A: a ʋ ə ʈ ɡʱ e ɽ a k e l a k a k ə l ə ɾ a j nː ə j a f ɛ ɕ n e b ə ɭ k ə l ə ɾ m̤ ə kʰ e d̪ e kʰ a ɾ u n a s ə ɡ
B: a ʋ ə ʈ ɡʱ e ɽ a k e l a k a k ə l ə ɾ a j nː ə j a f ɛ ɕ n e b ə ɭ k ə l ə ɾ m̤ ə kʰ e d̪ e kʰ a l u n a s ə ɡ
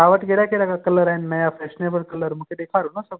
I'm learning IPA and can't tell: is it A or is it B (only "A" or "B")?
A